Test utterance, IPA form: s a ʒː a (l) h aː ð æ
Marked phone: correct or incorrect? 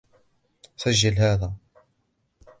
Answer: correct